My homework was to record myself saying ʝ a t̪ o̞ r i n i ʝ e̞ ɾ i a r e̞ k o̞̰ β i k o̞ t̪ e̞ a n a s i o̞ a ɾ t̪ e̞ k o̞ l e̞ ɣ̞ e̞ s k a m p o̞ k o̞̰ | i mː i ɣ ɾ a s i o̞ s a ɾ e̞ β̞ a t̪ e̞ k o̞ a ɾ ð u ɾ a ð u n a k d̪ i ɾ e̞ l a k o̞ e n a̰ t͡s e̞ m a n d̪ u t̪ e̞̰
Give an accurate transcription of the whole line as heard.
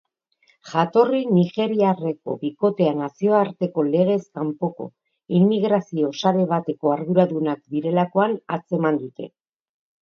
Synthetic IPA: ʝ a t̪ o̞ r i n i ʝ e̞ ɾ i a r e̞ k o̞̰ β i k o̞ t̪ e̞ a n a s i o̞ a ɾ t̪ e̞ k o̞ l e̞ ɣ̞ e̞ s k a m p o̞ k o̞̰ | i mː i ɣ ɾ a s i o̞ s a ɾ e̞ β̞ a t̪ e̞ k o̞ a ɾ ð u ɾ a ð u n a k d̪ i ɾ e̞ l a k o̞ a n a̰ t͡s e̞ m a n d̪ u t̪ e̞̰